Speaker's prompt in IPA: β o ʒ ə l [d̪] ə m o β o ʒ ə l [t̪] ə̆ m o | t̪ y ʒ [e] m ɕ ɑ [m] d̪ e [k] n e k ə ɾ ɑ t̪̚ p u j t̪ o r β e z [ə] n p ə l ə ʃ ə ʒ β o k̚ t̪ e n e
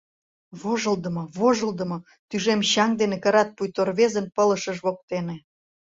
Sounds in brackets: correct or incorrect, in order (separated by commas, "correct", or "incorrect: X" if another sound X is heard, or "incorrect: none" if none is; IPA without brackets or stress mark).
correct, incorrect: d̪, correct, incorrect: ŋ, incorrect: none, correct